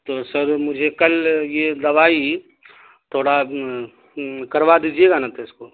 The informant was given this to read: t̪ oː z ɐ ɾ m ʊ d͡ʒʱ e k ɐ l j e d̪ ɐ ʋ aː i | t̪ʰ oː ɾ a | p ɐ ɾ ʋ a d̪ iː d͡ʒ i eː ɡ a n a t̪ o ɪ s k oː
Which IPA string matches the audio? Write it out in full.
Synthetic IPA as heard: t̪ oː s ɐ ɾ m ʊ d͡ʒʱ e k ɐ l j e d̪ ɐ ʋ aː i | t̪ʰ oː ɽ a | k ɐ ɾ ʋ a d̪ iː d͡ʒ i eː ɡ a n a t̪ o ɪ s k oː